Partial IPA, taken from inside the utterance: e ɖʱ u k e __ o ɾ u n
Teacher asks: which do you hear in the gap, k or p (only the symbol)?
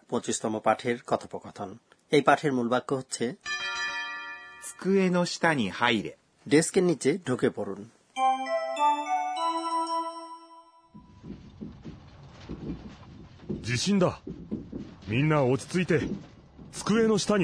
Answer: p